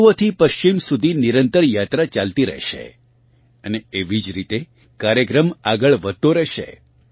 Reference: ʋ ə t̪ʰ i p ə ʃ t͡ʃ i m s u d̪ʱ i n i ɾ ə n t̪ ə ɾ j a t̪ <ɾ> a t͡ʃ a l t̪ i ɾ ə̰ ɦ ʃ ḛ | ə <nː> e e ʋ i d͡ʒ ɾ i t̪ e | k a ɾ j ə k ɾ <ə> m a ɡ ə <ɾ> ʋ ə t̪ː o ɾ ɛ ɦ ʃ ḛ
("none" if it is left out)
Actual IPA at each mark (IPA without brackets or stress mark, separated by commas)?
ɾ, n, ə, ɭ